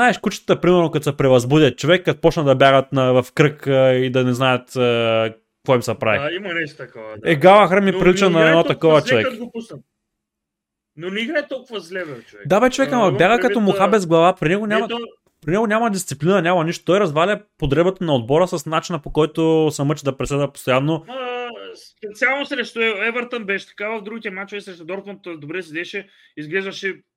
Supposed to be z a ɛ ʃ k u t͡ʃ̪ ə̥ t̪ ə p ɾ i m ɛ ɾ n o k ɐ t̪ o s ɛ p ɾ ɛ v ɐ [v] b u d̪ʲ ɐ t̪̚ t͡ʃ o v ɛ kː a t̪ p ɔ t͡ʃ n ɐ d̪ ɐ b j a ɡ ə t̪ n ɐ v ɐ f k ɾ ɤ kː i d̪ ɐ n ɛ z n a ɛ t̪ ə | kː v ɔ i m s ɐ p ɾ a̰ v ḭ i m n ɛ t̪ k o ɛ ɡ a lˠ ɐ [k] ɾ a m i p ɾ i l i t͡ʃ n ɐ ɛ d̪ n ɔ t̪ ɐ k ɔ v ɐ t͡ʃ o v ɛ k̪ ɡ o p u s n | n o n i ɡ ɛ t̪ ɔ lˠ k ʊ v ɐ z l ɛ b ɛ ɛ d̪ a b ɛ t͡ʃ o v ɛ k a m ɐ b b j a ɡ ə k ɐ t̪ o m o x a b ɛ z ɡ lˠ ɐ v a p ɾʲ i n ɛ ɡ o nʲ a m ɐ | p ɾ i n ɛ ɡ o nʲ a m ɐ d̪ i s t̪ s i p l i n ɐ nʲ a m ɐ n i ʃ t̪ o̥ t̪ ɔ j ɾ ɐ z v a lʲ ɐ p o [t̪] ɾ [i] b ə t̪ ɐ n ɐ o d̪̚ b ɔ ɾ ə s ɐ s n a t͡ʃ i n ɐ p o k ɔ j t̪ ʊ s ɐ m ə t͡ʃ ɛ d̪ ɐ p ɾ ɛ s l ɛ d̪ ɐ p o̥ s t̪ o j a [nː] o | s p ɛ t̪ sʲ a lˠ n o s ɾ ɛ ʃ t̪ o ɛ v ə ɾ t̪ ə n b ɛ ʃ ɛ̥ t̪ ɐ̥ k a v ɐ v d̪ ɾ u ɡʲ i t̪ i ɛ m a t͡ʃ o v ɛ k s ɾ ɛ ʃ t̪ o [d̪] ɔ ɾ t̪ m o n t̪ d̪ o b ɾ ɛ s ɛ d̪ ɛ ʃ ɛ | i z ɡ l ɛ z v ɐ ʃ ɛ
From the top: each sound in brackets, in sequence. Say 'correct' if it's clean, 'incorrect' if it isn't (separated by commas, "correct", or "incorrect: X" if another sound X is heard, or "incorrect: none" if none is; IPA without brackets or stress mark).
incorrect: z, incorrect: x, incorrect: d̪, incorrect: ɛ, correct, correct